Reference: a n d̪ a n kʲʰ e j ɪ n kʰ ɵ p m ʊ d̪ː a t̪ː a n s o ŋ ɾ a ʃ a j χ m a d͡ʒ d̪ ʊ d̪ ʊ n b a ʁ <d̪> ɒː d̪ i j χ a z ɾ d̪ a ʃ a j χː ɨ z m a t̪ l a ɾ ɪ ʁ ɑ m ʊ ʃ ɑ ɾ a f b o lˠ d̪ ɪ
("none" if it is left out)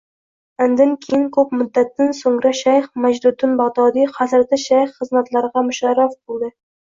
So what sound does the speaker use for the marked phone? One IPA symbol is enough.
d̪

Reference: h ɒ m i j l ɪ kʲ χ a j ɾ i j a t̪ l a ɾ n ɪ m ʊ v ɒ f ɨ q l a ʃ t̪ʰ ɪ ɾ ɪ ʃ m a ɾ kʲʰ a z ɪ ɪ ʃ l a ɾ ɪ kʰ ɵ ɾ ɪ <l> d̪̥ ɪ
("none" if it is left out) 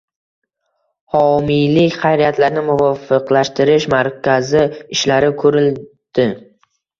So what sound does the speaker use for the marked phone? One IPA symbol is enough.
l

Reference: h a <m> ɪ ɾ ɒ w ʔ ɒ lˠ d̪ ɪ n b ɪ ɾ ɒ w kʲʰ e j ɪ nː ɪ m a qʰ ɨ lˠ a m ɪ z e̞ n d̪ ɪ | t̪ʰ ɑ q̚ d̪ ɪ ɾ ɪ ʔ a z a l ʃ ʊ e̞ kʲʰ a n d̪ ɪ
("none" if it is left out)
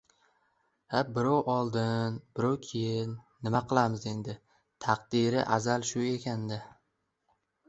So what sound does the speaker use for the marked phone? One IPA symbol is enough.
b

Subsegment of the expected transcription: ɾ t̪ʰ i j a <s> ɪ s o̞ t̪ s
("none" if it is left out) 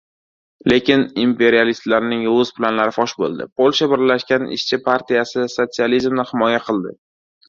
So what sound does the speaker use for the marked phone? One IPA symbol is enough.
s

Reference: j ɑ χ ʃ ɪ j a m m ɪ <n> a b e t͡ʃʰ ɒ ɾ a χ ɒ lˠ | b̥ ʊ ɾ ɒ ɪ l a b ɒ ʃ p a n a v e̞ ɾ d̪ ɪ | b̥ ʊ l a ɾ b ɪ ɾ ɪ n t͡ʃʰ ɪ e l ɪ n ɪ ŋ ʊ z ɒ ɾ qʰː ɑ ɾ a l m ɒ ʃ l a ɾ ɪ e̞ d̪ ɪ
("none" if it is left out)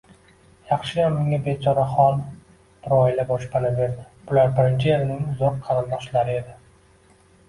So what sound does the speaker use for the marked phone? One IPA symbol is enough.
ŋ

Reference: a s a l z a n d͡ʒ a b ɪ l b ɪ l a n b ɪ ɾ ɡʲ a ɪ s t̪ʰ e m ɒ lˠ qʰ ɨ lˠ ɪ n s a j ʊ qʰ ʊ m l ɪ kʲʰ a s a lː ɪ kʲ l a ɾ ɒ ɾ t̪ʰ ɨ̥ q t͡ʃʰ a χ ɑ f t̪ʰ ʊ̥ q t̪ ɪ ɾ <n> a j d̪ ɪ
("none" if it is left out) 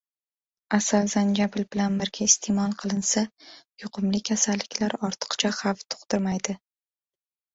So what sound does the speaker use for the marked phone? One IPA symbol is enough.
m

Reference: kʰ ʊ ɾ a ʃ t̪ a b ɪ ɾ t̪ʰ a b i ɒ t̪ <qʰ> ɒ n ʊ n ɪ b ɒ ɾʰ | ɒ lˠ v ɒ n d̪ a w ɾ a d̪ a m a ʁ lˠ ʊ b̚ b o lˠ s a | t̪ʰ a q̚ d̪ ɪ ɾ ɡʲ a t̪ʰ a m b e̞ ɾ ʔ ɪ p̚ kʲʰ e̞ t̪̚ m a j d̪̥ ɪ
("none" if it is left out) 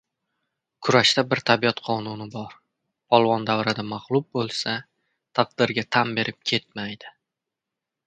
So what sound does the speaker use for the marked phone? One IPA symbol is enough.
qʰ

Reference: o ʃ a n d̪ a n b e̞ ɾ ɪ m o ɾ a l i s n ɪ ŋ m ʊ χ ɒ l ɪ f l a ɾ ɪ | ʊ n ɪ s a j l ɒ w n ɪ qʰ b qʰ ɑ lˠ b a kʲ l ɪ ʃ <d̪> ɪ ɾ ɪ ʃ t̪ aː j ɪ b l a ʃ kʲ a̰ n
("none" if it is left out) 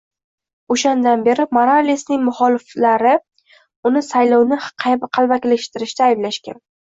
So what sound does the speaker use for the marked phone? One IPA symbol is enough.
t̪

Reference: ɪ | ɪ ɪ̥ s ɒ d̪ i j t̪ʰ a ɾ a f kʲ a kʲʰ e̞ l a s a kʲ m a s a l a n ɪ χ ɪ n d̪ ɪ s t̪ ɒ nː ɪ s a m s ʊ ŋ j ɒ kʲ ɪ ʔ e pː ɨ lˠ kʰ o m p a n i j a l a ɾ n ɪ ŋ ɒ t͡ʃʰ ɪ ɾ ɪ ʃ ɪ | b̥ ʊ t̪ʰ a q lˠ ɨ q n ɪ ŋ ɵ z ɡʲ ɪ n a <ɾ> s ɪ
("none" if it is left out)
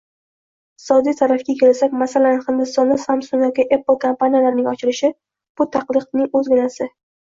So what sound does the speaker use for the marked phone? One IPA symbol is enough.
none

